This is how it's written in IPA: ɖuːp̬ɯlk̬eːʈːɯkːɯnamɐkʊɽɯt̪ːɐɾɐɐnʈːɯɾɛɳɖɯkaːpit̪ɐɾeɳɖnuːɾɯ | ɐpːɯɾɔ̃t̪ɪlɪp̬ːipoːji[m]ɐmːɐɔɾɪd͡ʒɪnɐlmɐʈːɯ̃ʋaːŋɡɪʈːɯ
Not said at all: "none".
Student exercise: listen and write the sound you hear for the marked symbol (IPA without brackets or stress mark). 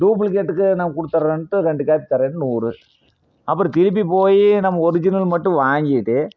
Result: n